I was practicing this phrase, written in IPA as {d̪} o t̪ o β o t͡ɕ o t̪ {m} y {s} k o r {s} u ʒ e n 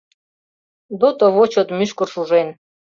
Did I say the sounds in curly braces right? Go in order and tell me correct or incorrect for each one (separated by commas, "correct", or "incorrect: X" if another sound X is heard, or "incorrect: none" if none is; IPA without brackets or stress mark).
correct, correct, incorrect: ʃ, incorrect: ʃ